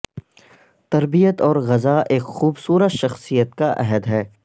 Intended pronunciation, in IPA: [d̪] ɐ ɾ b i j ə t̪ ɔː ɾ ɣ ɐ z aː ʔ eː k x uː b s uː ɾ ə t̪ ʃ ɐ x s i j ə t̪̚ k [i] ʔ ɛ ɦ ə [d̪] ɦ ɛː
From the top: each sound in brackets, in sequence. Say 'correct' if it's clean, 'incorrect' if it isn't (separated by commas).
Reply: incorrect, incorrect, correct